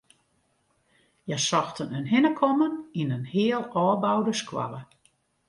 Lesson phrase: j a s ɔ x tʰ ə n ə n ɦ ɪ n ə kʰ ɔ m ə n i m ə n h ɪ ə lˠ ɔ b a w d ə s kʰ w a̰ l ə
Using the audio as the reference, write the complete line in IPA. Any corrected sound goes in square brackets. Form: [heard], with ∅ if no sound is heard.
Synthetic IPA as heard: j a s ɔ x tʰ ə n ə n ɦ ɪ n ə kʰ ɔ m ə n i [n] ə n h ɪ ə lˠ [ɔː] b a w d ə s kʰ w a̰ l ə